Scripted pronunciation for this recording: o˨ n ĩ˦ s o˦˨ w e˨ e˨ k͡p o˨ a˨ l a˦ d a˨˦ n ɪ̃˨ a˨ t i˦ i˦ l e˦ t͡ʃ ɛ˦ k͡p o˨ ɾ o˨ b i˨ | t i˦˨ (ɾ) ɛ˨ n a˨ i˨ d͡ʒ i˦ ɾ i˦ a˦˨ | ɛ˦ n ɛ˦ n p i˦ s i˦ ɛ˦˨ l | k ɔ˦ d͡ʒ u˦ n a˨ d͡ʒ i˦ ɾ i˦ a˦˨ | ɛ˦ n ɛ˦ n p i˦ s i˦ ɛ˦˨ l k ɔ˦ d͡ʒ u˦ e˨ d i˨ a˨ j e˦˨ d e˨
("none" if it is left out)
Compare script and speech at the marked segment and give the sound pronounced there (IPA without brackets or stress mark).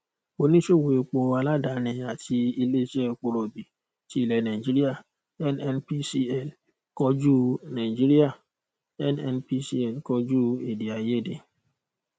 l